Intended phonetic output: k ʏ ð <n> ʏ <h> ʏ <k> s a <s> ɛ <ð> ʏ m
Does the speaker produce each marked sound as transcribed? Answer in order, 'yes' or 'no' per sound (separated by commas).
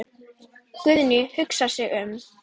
yes, yes, yes, yes, no